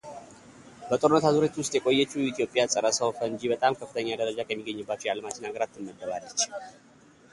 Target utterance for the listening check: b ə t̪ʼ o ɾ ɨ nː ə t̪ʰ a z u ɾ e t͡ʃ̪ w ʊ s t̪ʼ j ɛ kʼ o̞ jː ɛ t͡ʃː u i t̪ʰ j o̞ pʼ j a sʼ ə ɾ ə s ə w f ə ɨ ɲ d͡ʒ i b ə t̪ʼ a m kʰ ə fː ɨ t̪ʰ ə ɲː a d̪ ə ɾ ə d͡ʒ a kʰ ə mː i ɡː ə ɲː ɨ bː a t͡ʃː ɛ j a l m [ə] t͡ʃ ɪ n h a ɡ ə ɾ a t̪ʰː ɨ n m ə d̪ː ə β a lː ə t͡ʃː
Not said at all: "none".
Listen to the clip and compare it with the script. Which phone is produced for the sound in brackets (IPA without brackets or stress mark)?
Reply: a